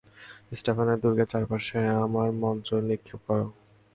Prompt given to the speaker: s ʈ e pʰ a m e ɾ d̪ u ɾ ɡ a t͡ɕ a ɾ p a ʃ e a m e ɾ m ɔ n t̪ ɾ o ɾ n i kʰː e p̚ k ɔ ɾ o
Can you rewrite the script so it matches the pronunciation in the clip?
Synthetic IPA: s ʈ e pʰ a n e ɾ d̪ u ɾ ɡ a t͡ɕ a ɾ p a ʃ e a m a ɾ m ɔ n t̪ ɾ o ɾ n i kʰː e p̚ k ɔ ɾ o